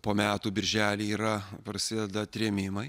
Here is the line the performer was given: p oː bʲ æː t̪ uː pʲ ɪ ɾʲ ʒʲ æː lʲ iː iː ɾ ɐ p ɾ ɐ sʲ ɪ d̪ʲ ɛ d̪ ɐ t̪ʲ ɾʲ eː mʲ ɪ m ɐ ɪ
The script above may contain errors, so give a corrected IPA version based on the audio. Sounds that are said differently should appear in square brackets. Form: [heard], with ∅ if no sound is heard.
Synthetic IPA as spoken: p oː [mʲ] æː t̪ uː [bʲ] ɪ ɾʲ ʒʲ æː lʲ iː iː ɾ ɐ p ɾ ɐ sʲ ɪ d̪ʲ ɛ d̪ ɐ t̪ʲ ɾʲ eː mʲ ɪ m ɐ ɪ